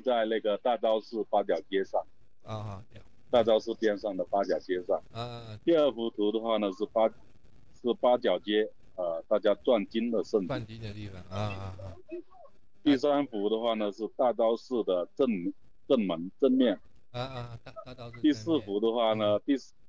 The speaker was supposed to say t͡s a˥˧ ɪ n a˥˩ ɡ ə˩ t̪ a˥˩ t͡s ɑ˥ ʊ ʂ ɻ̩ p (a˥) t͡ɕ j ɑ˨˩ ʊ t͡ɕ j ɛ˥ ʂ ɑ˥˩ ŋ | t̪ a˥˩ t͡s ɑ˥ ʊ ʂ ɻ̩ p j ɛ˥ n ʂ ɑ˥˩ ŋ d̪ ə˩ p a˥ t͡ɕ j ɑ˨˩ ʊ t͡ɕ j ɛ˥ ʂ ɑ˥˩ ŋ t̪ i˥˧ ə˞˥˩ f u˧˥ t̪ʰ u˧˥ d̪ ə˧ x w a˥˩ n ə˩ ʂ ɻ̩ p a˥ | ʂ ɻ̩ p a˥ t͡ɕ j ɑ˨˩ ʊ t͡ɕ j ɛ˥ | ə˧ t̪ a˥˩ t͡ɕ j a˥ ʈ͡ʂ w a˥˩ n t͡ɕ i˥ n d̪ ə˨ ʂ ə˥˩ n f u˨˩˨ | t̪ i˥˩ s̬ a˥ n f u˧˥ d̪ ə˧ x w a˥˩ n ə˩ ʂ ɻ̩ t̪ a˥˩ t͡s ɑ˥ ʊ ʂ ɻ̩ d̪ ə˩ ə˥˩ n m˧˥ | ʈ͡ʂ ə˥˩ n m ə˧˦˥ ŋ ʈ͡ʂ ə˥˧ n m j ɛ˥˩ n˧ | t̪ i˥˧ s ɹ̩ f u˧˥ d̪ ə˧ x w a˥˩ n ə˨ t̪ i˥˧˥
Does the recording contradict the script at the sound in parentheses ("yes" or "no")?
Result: no